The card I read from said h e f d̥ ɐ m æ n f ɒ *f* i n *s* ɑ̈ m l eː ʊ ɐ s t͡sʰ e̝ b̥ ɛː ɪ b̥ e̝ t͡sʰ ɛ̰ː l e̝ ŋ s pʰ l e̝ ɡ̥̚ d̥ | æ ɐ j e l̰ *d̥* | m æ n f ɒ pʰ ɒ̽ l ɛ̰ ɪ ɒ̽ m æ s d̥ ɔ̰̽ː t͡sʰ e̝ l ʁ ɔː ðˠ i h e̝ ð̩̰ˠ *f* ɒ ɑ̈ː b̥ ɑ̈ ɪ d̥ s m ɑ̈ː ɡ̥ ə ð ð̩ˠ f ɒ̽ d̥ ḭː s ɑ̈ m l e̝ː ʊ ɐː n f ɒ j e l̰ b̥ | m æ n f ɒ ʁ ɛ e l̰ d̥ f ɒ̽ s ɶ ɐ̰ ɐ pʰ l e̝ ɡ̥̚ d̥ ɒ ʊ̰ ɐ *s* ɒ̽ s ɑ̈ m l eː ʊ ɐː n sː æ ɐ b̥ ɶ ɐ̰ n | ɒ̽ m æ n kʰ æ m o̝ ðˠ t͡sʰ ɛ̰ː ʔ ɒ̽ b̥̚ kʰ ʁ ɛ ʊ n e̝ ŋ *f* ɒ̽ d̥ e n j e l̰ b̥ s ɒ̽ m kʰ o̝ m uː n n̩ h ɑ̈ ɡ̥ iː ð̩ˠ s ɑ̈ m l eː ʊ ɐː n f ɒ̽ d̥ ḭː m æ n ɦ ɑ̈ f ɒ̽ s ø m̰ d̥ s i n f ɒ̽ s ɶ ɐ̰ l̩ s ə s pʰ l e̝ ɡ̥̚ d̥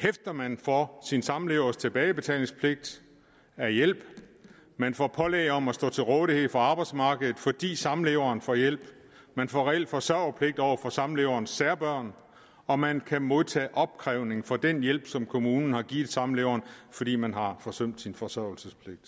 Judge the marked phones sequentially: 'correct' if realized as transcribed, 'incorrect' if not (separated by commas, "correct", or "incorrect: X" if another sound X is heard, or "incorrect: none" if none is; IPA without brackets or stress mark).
incorrect: s, correct, incorrect: b̥, correct, incorrect: f, correct